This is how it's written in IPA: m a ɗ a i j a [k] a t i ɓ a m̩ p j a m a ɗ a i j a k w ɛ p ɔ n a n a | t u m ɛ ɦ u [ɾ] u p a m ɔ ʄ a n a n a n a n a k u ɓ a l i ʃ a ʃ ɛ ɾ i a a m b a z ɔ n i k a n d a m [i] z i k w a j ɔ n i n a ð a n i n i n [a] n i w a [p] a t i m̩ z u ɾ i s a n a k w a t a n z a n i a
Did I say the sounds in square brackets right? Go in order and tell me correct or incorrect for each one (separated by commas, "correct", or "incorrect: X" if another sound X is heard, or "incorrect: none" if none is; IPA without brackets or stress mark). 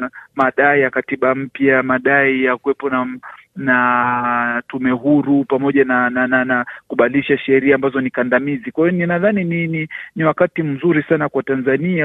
correct, correct, correct, incorrect: i, incorrect: k